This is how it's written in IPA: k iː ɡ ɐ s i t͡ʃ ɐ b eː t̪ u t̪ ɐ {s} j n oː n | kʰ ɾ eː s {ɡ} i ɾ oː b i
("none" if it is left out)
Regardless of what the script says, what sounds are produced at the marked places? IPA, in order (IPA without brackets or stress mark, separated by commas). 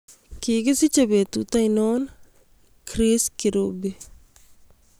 none, k